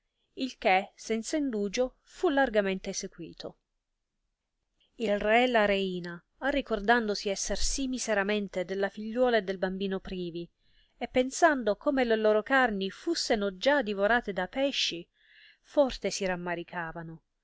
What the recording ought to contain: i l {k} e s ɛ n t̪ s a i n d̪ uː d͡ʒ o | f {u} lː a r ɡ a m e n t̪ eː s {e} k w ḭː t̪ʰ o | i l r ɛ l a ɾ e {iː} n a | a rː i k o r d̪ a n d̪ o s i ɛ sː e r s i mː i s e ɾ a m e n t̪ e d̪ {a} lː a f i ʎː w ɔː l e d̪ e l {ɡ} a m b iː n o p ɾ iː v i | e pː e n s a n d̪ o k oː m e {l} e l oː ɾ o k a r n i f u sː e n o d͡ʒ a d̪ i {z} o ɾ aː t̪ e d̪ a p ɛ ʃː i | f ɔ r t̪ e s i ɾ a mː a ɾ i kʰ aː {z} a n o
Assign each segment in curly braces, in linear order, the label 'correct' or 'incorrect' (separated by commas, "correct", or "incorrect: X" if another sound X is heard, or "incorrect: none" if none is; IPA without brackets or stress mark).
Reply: correct, correct, correct, correct, incorrect: e, incorrect: b, correct, incorrect: v, incorrect: v